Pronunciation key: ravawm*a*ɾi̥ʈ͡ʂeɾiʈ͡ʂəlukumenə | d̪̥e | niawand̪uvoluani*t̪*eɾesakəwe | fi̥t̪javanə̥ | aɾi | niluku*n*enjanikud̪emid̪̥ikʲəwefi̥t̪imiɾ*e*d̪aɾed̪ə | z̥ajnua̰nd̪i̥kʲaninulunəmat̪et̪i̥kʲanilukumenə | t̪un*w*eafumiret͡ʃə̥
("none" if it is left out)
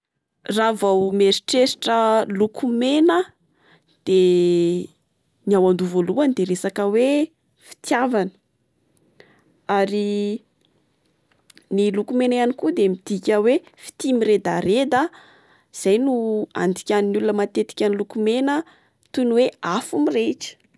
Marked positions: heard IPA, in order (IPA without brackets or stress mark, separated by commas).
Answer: e, d̪, m, e, w